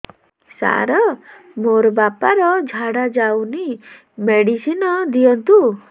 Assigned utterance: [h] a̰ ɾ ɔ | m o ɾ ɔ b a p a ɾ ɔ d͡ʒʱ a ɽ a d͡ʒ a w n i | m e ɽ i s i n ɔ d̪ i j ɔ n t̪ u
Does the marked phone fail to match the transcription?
yes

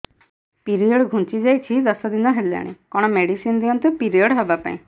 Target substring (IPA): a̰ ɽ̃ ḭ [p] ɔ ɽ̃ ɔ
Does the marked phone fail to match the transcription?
yes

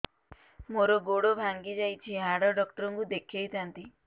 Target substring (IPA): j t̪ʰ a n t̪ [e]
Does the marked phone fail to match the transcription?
yes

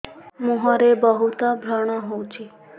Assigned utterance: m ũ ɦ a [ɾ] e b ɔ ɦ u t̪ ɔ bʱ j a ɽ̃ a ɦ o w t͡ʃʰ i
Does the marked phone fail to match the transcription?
no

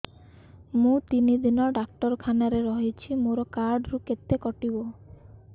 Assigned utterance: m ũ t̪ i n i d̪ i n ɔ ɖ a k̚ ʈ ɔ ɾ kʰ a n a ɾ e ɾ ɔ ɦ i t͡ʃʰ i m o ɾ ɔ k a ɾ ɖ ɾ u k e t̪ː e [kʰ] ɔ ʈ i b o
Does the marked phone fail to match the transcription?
yes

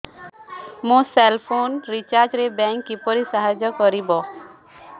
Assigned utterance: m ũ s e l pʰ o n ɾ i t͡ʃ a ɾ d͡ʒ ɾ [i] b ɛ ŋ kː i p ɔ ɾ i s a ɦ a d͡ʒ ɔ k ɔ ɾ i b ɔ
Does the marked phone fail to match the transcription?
yes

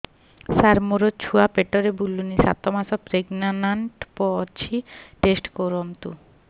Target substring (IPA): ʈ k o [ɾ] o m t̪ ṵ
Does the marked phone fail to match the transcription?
no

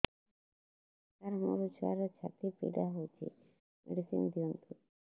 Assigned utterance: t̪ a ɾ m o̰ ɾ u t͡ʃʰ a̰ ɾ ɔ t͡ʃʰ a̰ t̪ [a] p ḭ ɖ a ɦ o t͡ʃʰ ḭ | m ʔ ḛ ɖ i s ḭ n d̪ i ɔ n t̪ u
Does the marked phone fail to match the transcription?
yes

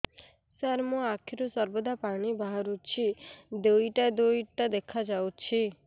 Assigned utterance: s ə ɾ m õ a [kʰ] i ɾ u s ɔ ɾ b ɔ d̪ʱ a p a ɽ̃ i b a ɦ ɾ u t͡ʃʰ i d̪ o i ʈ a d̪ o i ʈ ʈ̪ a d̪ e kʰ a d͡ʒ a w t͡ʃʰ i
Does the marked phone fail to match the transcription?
no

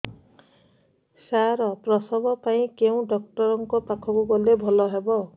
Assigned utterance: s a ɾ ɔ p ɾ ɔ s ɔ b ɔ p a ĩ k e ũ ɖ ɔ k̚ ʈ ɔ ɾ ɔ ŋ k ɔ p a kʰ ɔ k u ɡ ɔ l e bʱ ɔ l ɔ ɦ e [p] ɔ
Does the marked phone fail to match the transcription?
yes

